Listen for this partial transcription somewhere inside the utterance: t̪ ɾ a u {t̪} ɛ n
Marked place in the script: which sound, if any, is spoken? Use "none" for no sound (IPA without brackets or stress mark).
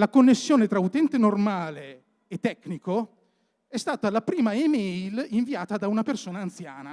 t̪